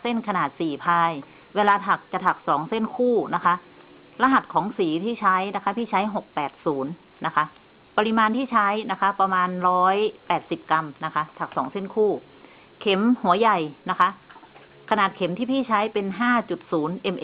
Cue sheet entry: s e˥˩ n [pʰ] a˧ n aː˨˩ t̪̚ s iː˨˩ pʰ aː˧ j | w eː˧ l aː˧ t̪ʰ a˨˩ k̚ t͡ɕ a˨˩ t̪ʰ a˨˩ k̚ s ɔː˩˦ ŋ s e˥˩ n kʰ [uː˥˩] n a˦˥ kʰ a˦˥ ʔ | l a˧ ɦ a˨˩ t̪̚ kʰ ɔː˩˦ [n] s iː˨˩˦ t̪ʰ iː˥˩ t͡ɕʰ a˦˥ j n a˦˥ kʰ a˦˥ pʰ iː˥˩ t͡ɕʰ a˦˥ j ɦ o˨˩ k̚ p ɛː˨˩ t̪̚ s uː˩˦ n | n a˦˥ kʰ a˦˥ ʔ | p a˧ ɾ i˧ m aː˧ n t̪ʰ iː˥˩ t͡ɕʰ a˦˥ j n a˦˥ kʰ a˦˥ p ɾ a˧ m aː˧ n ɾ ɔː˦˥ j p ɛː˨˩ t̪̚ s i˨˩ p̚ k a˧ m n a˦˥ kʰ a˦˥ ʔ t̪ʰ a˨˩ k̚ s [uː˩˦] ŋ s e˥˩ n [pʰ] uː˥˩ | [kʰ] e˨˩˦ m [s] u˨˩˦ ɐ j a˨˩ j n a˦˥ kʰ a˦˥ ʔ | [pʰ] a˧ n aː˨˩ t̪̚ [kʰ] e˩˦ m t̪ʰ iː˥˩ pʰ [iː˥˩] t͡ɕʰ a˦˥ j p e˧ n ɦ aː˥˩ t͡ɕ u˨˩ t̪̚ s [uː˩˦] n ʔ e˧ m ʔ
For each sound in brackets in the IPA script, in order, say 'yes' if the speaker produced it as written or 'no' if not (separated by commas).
no, yes, no, no, no, yes, no, no, yes, yes, yes